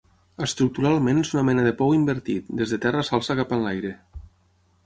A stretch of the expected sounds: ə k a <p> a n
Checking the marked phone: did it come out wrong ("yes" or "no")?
no